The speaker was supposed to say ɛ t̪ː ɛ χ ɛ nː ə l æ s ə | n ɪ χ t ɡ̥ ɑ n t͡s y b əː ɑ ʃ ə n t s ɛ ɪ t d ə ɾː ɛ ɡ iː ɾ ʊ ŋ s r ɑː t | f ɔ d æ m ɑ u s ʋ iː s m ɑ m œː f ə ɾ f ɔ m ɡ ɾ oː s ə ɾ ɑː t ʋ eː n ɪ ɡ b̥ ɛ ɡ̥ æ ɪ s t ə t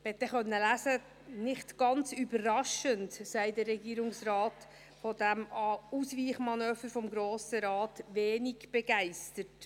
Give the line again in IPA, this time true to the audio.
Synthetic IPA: ɛ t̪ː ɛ χ œ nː ə l æ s ə | n ɪ χ t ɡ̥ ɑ n t͡s y b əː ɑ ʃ ə n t s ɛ ɪ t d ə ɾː ɛ ɡ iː ɾ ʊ ŋ s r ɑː t | f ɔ d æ m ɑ u s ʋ iː χ m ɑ n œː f ə ɾ f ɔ m ɡ ɾ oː s ə ɾ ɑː t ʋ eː n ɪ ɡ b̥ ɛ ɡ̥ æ ɪ s t ə t

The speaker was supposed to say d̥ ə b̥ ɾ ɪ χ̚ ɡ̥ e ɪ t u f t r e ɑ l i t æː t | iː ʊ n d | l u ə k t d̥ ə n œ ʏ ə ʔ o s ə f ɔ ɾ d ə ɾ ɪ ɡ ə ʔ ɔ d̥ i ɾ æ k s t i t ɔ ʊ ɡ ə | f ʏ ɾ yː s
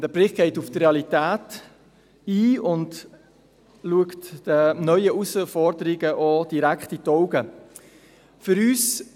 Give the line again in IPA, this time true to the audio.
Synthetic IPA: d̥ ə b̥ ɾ ɪ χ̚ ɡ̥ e ɪ t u f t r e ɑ l i t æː t | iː ʊ n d | l u ə k t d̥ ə n œ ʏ ə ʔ u s ə f ɔ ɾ d ə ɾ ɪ ɡ ə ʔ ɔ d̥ i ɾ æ k χ t i t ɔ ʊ ɡ ə | f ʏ ɾ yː s

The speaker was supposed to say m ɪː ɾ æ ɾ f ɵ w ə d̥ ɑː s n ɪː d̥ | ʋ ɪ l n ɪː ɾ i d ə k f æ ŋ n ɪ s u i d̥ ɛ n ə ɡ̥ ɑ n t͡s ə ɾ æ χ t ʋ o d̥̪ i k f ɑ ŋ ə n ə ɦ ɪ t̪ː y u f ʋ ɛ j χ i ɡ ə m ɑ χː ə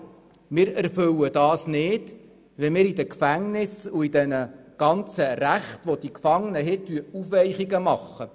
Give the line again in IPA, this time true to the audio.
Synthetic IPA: m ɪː ɾ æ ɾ f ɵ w ə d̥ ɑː s n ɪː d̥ | ʋ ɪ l m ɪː ɾ i d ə k f æ ŋ n ɪ s u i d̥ ɛ n ə ɡ̥ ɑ n t͡s ə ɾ æ χ t ʋ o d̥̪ i k f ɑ ŋ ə n ə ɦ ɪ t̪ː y u f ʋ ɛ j χ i ɡ ə m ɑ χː ə

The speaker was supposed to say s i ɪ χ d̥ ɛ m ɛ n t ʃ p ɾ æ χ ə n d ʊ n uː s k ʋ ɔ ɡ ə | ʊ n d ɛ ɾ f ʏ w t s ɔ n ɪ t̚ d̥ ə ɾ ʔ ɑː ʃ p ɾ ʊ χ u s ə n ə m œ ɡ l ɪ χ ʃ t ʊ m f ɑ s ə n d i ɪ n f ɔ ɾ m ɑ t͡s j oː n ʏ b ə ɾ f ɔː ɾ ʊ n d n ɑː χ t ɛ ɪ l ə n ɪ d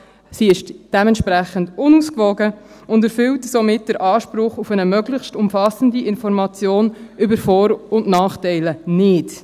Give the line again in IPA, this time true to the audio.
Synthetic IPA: s i ɪ ʃ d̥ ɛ m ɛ n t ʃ p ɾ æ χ ə n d ʊ n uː s k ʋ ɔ ɡ ə | ʊ n d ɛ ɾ f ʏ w t s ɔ m ɪ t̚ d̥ ə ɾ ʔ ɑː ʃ p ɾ ʊ χ u f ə n ə m œ ɡ l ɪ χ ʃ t ʊ m f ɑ s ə n d i ɪ n f ɔ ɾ m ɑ t͡s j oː n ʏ b ə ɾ f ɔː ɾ ʊ n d n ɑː χ t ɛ ɪ l ə n ɪ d

